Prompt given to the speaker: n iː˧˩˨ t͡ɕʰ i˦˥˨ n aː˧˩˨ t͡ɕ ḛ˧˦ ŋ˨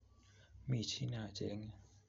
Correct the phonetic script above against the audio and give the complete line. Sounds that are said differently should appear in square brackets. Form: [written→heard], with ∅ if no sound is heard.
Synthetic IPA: [n→m] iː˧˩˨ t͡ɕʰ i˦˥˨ n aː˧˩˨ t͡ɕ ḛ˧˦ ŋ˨

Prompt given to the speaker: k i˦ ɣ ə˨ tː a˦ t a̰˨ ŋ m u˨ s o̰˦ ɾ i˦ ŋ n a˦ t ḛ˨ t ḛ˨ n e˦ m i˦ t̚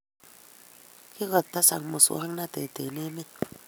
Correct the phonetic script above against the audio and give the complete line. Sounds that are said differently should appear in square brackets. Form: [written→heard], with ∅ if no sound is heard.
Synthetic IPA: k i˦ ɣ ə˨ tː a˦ [t→s] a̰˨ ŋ m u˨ s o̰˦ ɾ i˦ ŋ n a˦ t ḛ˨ t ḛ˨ n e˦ m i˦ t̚

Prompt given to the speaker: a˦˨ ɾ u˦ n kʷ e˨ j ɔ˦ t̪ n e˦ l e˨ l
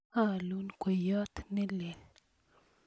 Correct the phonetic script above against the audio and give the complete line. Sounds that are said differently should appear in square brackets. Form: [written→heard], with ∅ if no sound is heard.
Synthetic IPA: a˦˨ [ɾ→l] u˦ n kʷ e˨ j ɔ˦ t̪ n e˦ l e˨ l

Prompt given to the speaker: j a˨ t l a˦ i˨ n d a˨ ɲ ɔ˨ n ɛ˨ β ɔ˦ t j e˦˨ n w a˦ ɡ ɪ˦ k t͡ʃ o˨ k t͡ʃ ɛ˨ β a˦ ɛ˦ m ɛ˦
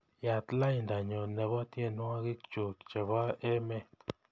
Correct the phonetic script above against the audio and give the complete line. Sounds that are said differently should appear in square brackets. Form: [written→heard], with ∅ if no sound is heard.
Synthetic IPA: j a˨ t l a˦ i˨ n d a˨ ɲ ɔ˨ n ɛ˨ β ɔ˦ t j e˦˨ n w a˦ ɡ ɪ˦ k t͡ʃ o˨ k t͡ʃ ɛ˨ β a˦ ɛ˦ m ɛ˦

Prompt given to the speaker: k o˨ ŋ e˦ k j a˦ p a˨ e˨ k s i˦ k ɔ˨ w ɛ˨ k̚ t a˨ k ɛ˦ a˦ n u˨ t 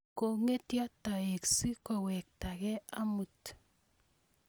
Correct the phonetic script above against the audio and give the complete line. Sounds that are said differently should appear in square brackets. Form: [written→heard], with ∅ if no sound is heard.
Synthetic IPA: k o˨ ŋ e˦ [k→t] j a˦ [p→t] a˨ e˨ k s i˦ k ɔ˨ w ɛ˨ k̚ t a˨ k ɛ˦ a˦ [n→m] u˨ t

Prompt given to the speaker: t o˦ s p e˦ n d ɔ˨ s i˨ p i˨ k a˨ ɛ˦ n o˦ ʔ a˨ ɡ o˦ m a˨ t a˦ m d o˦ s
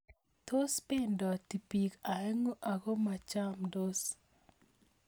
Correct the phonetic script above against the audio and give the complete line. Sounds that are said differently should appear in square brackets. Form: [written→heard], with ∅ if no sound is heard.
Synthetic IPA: t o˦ s p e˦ n d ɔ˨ [s→t] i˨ p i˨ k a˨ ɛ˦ [n→ŋ] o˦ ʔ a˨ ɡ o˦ m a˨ [t→t͡ʃ] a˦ m d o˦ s

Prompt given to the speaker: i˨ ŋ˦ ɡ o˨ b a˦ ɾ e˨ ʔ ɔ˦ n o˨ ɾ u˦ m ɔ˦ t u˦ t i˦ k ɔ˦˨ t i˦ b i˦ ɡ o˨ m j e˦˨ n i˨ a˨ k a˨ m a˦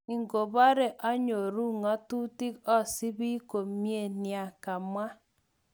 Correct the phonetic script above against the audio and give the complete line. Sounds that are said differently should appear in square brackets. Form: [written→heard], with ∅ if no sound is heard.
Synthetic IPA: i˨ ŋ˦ ɡ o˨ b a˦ ɾ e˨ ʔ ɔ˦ [n→ɲ] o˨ ɾ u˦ [m→ŋ] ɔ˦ t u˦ t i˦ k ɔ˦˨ [t→s] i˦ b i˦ [ɡ→k] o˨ m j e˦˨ n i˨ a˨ k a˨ m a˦

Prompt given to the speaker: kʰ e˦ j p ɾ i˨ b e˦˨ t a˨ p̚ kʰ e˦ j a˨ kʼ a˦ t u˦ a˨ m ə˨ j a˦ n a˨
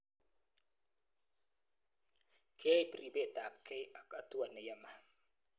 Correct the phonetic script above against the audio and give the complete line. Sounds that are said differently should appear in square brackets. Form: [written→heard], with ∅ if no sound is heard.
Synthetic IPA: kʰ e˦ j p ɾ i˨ b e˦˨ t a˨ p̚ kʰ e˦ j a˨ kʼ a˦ t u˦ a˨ [m→n] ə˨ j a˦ [n→m] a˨

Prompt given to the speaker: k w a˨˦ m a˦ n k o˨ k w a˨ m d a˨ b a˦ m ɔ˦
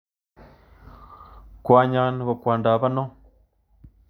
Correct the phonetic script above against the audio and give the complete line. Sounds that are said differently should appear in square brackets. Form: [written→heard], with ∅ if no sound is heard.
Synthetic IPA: k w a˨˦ [m→ɲ] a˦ n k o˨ k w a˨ [m→n] d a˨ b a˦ [m→n] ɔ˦

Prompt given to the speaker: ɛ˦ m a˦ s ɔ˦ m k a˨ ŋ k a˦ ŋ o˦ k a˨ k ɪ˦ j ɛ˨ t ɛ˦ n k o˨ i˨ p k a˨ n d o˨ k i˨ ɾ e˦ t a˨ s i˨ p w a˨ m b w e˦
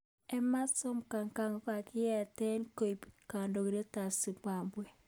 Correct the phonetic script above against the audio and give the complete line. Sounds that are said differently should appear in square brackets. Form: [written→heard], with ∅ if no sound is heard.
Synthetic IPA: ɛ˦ m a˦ s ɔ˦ m k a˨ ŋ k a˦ ŋ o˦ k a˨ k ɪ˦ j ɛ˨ t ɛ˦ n k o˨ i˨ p k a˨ n d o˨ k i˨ ɾ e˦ t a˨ s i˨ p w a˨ m b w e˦

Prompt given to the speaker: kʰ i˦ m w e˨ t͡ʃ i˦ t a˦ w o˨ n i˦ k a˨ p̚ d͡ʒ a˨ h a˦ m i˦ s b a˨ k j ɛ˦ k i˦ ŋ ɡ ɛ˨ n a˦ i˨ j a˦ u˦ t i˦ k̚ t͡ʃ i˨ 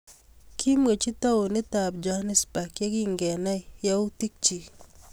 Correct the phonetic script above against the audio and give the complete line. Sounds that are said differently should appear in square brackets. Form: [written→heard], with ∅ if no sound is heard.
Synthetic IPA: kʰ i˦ m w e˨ t͡ʃ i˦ t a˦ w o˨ n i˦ [k→t] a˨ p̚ d͡ʒ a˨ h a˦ [m→n] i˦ s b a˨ k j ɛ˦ k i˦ ŋ ɡ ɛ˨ n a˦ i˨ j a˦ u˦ t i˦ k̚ t͡ʃ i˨

